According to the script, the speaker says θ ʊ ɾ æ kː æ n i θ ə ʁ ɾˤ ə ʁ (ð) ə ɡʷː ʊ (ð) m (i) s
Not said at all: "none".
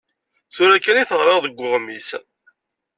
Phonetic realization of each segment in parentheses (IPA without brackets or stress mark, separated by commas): ð, ʁ, i